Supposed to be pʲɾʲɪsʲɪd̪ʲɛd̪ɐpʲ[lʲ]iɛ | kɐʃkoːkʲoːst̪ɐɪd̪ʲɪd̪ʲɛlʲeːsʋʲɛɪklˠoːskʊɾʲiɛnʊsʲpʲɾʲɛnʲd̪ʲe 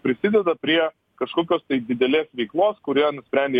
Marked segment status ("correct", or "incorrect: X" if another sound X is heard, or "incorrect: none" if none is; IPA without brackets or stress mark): incorrect: ɾʲ